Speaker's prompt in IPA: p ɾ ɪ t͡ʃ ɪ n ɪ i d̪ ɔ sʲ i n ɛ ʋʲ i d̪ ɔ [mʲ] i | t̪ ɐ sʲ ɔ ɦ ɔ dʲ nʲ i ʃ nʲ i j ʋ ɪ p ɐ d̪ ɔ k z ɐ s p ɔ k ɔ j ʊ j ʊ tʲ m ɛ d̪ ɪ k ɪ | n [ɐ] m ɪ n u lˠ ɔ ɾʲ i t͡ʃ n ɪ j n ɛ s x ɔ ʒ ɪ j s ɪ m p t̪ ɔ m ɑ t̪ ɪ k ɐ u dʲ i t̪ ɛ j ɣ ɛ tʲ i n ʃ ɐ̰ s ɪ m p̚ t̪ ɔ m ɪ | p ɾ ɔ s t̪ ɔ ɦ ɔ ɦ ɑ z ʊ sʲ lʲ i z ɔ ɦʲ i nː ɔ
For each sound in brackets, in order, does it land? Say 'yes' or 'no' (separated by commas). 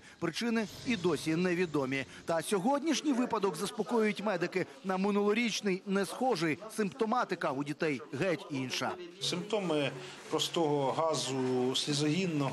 yes, yes